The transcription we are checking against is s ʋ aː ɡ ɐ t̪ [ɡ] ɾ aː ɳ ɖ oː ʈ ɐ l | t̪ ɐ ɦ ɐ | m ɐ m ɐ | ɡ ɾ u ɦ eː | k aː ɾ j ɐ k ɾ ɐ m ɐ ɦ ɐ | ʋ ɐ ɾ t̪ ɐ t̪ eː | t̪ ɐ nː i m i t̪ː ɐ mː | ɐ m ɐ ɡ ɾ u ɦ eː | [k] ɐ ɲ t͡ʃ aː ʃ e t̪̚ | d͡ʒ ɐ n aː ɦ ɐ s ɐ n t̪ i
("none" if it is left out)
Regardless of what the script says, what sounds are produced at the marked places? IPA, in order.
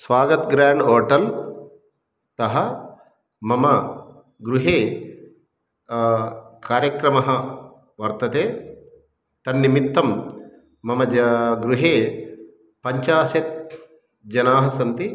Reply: ɡ, p

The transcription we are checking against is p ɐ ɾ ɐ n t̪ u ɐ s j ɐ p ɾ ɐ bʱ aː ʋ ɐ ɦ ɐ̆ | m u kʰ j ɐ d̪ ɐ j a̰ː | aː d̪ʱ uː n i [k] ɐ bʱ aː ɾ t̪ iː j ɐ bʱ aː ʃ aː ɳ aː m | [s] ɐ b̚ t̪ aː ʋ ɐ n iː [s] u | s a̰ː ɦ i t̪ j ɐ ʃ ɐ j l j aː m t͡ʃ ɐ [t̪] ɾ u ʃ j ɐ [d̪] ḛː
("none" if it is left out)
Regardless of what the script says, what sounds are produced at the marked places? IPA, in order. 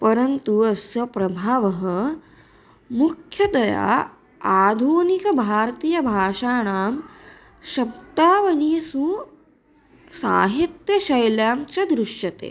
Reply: k, ʃ, s, d̪, t̪

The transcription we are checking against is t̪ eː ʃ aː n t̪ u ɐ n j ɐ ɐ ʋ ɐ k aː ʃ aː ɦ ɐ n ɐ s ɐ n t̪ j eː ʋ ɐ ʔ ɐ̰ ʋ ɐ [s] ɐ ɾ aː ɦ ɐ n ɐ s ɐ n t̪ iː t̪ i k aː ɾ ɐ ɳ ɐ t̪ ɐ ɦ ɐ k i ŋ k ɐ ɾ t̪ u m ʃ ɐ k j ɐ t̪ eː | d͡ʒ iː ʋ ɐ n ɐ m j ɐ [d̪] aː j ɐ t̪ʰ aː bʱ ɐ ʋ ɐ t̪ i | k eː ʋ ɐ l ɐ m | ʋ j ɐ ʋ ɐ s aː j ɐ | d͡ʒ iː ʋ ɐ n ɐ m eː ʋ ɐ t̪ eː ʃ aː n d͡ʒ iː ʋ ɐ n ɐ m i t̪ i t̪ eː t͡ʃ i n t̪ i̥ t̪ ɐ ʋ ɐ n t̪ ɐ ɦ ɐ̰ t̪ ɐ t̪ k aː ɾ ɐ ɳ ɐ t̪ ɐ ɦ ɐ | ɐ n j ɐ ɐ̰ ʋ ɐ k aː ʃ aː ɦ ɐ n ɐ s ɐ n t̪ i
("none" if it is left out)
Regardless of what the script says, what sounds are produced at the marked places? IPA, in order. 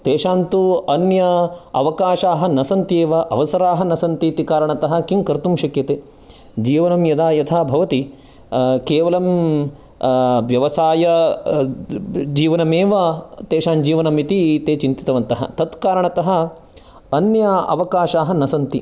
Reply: s, d̪

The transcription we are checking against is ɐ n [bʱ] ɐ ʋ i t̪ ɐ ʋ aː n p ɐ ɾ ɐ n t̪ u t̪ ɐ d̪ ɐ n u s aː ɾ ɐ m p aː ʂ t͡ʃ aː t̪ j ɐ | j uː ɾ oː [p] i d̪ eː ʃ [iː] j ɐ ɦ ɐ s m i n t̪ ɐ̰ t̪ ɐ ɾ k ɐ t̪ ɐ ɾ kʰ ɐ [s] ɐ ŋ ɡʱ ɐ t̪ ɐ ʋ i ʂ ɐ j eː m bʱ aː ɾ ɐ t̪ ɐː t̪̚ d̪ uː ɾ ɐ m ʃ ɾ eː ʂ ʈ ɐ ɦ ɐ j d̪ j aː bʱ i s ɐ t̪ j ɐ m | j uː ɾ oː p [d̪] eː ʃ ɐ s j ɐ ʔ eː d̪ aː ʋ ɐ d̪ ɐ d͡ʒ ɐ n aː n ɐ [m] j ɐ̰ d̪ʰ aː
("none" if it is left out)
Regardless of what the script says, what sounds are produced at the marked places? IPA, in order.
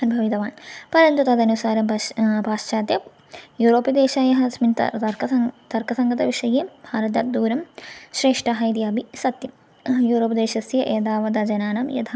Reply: bʱ, p, aː, s, d̪, m

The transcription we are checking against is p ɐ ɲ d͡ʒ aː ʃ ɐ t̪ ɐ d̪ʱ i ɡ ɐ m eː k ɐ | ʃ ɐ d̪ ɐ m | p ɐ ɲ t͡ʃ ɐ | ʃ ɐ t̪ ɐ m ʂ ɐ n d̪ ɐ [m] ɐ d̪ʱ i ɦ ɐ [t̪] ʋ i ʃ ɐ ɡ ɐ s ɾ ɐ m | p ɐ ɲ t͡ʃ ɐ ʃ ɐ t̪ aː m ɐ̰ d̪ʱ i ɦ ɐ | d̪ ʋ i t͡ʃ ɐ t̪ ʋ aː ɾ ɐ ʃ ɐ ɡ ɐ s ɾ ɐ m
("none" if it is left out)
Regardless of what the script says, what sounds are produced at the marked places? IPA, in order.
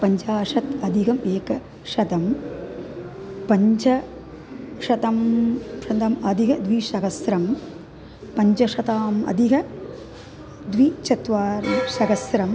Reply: m, d̪

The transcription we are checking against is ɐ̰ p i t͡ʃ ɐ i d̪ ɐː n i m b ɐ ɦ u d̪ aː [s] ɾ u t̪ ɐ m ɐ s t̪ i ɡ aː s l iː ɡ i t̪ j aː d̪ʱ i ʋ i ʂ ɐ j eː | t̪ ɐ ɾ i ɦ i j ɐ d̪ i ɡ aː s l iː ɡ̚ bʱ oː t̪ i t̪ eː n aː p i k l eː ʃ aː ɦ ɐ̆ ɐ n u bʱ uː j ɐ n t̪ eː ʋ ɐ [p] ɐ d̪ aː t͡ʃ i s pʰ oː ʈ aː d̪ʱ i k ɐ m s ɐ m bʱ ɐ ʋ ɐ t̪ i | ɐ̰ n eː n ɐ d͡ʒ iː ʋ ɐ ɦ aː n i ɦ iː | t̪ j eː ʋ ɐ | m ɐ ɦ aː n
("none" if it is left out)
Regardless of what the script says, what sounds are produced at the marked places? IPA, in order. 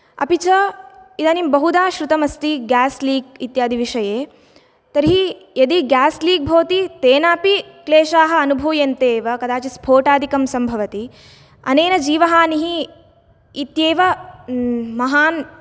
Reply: ʃ, k

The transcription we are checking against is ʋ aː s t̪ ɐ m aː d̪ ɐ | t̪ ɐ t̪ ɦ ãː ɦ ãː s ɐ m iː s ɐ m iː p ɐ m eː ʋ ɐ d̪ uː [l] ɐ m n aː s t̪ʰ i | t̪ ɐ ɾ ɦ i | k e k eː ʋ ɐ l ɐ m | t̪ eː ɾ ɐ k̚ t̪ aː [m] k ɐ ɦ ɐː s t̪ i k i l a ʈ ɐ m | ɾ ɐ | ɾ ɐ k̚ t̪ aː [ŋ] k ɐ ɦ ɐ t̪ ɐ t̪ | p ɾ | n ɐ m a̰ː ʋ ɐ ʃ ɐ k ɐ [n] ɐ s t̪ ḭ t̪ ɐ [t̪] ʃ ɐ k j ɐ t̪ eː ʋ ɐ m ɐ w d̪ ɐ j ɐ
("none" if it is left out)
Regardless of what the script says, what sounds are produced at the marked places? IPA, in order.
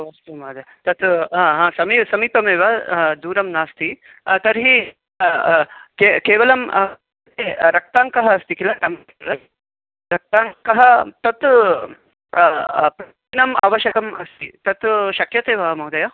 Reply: ɾ, ŋ, ŋ, m, t̪

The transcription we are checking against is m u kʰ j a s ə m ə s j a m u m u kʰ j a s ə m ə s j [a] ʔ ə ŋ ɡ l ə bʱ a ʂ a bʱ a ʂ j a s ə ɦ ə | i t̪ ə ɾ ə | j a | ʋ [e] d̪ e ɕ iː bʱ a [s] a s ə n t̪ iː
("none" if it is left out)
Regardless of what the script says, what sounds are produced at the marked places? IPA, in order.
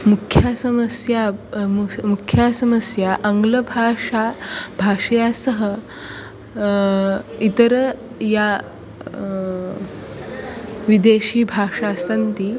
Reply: a, i, ʂ

